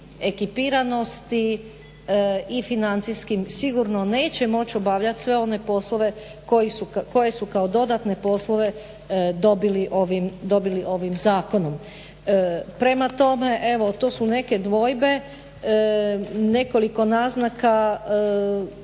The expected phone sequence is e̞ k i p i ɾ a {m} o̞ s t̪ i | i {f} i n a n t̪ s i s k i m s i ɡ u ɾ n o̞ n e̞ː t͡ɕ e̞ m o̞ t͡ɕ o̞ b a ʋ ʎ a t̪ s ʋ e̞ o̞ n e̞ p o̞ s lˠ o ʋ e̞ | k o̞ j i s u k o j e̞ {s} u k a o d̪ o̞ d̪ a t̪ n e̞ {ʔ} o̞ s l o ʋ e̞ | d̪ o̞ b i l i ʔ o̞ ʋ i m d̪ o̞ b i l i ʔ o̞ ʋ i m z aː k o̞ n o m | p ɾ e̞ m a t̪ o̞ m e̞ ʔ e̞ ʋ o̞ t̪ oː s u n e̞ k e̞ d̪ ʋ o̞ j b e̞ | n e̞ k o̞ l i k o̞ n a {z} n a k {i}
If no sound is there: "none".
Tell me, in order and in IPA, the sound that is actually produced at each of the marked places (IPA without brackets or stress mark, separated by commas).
n, f, s, p, z, a